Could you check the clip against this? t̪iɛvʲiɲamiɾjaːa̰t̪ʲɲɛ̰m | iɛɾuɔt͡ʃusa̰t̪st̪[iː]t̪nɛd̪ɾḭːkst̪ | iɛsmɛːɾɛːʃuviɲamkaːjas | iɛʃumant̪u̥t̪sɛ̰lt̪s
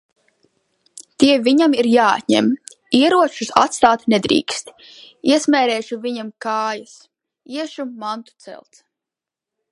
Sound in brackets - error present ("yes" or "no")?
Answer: yes